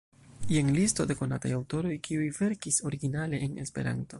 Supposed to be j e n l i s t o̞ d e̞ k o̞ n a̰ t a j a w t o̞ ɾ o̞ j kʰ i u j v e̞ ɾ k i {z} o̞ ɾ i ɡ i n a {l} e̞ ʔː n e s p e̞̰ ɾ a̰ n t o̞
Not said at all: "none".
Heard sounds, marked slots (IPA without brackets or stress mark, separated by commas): s, l